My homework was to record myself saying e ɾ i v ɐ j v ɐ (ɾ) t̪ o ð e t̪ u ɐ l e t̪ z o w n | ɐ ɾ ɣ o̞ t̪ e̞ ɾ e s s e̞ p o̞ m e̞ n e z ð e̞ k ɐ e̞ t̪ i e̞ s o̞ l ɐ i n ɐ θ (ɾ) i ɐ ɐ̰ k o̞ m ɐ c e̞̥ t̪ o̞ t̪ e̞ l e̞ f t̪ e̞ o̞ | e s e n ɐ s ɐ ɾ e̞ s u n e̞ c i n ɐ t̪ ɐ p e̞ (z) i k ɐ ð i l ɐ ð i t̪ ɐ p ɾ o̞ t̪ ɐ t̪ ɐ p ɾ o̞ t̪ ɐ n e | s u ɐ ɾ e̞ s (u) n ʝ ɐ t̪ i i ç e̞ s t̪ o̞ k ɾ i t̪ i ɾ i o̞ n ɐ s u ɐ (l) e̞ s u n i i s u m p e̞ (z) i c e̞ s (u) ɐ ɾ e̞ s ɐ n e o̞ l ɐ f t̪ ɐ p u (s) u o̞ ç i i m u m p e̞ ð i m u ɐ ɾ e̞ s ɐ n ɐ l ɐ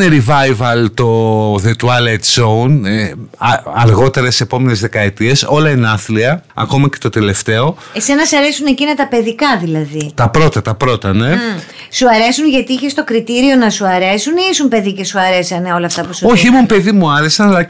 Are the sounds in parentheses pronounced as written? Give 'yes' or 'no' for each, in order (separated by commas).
no, no, no, yes, no, no, yes, yes